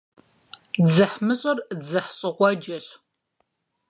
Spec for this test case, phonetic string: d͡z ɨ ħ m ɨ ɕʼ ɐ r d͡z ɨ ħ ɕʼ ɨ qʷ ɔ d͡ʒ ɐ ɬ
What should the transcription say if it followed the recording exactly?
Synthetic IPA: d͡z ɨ ħ m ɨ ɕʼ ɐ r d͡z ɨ ħ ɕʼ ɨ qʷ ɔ d͡ʒ ɐ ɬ